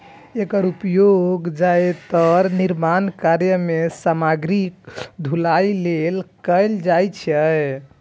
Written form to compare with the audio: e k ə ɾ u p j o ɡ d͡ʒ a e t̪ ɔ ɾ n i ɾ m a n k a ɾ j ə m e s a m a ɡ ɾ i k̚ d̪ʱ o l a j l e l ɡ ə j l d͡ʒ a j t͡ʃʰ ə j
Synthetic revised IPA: e k ə ɾ u p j o ɡ d͡ʒ a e t̪ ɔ ɾ n i ɾ m a n k a ɾ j ə m e s a m a ɡ ɾ i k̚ d̪ʱ u l a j l e l k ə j l d͡ʒ a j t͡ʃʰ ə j